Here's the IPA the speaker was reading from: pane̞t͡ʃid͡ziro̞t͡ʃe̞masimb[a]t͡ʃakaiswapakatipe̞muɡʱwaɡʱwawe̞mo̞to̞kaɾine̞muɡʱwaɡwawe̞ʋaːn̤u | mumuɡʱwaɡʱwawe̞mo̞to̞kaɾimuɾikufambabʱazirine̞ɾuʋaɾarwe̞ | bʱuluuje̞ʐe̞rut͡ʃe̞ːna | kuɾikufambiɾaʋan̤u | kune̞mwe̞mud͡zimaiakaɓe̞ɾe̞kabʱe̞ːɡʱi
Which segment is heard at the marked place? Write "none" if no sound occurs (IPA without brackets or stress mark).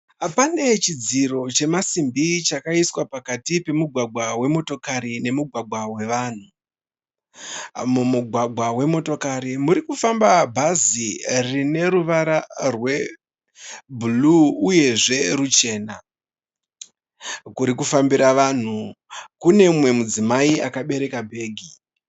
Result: i